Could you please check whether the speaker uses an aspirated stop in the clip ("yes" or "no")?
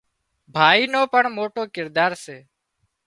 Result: no